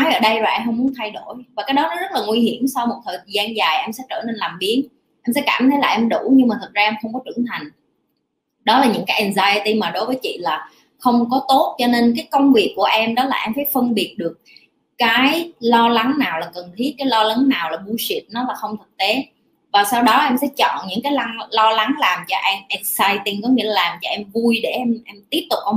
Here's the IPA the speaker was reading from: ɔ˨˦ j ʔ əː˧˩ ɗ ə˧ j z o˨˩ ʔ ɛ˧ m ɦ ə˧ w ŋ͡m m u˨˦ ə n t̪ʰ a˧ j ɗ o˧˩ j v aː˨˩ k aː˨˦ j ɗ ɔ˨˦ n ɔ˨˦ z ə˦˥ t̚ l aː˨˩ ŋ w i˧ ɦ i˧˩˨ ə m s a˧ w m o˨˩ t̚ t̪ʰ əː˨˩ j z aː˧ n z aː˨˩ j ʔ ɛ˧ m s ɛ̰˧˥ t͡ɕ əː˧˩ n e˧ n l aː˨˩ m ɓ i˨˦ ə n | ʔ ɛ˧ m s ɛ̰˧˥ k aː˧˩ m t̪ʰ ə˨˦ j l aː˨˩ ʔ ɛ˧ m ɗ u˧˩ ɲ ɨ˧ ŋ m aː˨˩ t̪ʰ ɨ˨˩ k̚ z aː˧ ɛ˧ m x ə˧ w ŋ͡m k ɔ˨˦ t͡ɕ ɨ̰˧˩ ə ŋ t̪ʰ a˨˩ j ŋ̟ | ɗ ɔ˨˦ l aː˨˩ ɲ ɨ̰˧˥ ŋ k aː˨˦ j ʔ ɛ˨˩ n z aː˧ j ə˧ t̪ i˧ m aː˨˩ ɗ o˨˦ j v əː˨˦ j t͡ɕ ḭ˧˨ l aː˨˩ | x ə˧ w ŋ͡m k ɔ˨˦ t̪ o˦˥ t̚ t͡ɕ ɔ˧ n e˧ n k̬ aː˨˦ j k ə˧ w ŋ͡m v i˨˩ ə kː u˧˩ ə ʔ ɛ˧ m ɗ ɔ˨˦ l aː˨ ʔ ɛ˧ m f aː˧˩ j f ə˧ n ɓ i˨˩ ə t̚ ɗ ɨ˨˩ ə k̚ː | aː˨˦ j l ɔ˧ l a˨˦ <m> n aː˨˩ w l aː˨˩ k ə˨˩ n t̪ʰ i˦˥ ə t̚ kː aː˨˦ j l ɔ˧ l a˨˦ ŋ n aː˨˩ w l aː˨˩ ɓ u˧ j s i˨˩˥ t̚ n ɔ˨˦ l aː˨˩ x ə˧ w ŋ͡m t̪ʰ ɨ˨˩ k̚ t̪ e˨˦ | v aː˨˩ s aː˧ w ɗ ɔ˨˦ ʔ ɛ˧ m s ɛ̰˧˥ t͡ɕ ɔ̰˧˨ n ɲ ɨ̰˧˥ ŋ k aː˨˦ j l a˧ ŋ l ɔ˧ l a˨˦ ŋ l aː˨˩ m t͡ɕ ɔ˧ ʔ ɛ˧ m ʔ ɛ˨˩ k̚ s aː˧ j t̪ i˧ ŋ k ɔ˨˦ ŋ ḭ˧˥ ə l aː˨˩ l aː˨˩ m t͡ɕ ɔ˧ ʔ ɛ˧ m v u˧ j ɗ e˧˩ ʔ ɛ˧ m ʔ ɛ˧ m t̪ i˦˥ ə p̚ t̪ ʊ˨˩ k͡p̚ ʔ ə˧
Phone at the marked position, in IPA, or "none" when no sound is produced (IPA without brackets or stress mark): ŋ